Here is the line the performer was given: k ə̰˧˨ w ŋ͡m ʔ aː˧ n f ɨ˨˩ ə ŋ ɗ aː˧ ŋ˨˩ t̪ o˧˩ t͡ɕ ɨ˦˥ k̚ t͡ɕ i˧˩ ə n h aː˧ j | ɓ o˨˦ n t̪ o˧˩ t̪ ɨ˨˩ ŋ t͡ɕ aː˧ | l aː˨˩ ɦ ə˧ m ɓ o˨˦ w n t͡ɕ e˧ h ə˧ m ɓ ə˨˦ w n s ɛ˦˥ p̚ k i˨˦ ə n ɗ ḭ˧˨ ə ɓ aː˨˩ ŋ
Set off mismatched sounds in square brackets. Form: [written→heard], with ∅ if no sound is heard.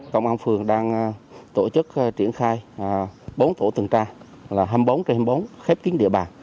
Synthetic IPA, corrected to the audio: k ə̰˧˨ w ŋ͡m ʔ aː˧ n f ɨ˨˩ ə ŋ ɗ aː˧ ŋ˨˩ t̪ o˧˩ t͡ɕ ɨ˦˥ k̚ t͡ɕ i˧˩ ə n [h→x] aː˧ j | ɓ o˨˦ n t̪ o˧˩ t̪ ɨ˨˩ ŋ t͡ɕ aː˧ | l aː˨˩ ɦ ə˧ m ɓ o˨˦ w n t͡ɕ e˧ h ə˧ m ɓ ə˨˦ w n [s→x] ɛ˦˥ p̚ k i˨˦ ə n ɗ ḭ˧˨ ə ɓ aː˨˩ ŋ